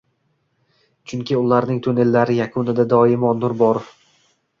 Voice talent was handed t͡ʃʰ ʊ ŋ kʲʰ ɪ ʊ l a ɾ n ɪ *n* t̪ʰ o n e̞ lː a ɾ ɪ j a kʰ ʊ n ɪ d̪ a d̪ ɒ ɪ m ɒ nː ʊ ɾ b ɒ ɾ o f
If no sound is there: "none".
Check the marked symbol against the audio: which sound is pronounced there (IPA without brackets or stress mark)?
ŋ